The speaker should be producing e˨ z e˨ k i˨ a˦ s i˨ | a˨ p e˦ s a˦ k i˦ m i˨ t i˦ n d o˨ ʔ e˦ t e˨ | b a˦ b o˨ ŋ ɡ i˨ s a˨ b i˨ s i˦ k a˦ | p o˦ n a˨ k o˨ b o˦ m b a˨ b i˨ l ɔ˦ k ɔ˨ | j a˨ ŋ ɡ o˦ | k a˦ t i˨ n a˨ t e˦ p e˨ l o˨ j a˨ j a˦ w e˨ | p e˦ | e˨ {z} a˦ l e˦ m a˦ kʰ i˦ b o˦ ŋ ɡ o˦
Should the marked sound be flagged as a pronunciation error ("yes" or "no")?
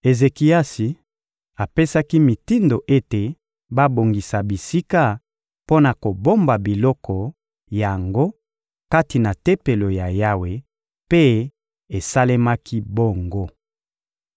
yes